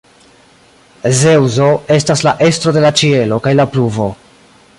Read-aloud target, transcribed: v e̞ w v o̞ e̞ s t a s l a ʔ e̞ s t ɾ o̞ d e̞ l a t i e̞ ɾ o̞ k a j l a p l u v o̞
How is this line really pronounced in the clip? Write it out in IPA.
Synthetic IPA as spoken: z e̞ w z o̞ e̞ s t a s l a ʔ e̞ s t ɾ o̞ d e̞ l a t͡ʃ i e̞ l o̞ k a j l a p l u v o̞